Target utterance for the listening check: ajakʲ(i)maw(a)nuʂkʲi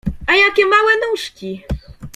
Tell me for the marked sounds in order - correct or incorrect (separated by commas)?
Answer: incorrect, incorrect